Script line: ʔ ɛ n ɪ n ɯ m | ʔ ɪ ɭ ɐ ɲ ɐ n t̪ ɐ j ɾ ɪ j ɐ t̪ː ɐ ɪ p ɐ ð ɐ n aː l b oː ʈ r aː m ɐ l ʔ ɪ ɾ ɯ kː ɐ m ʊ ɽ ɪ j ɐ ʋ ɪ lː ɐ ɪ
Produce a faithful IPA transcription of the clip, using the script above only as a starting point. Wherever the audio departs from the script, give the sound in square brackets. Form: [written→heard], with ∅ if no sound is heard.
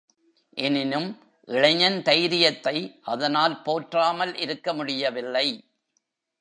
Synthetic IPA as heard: ʔ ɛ n ɪ n ɯ m | ʔ ɪ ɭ ɐ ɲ ɐ n t̪ ɐ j ɾ ɪ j ɐ t̪ː ɐ ɪ [p→ʔ] ɐ ð ɐ n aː l [b→p] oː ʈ r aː m ɐ l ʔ ɪ ɾ ɯ kː ɐ m ʊ ɽ ɪ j ɐ ʋ ɪ lː ɐ ɪ